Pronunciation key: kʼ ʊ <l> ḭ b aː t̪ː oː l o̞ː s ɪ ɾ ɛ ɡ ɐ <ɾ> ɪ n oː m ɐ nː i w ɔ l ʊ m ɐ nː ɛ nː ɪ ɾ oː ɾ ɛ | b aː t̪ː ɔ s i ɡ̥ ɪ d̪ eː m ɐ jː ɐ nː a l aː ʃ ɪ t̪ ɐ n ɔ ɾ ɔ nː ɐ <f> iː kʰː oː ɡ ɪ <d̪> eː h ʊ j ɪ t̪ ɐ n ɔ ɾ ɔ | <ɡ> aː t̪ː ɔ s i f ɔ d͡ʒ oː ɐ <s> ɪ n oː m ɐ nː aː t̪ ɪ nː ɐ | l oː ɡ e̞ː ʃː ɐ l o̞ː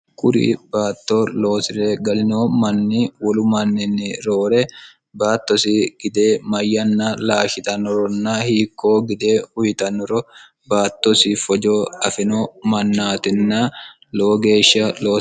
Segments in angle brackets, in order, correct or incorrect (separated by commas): incorrect, incorrect, incorrect, correct, incorrect, incorrect